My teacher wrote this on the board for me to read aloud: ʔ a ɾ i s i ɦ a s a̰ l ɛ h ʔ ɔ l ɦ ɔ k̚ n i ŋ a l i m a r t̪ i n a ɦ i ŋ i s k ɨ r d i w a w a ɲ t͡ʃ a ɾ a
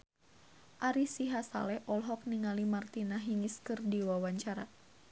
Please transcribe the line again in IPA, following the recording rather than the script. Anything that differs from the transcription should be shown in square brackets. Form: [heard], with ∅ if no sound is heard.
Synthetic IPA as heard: ʔ a ɾ i s i ɦ a s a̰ l ɛ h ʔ ɔ l ɦ ɔ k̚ n i ŋ a l i m a r t̪ i n a ɦ i ŋ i s k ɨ r d i w a w a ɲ t͡ʃ a ɾ a